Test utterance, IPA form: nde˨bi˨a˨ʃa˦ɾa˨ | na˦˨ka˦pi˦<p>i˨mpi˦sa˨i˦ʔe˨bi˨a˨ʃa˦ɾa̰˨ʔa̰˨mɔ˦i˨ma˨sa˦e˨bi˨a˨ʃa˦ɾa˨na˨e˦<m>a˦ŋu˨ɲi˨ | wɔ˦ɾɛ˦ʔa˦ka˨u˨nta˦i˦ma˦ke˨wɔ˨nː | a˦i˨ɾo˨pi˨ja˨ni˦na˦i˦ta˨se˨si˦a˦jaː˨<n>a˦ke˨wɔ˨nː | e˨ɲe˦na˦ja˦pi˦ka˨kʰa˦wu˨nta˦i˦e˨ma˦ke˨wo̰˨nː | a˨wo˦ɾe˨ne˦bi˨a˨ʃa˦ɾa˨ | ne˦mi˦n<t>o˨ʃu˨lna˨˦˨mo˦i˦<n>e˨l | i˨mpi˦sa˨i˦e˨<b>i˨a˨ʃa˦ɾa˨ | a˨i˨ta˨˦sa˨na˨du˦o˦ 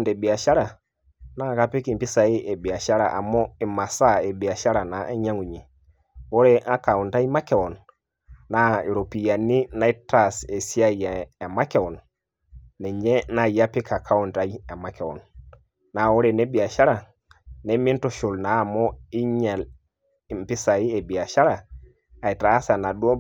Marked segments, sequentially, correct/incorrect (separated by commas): incorrect, incorrect, incorrect, correct, incorrect, correct